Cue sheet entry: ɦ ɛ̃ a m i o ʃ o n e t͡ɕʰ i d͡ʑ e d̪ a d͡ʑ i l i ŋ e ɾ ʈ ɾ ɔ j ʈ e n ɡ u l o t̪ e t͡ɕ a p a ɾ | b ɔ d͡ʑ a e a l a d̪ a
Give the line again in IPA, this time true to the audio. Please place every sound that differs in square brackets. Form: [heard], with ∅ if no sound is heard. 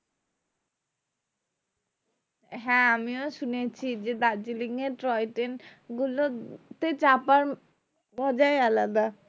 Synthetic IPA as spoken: ɦ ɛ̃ a m i o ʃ [u] n e t͡ɕʰ i d͡ʑ e d̪ a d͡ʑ i l i ŋ e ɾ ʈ ɾ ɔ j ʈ e n ɡ u l o t̪ e t͡ɕ a p a ɾ | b ɔ d͡ʑ a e a l a d̪ a